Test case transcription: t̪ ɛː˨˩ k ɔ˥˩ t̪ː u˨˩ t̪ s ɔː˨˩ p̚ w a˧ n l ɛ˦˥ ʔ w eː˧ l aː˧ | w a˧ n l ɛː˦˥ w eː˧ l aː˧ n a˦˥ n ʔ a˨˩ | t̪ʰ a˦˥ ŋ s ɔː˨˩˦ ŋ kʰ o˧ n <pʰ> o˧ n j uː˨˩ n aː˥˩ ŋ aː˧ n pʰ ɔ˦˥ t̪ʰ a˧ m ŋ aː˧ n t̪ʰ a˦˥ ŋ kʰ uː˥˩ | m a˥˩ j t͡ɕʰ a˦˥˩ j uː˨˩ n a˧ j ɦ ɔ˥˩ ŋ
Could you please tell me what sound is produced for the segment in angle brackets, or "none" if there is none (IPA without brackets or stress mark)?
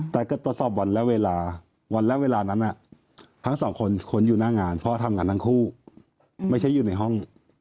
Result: kʰ